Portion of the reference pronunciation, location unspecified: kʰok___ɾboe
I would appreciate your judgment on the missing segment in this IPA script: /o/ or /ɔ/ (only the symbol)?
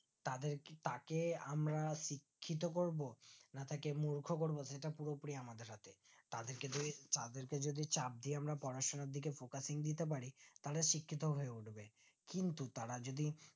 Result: o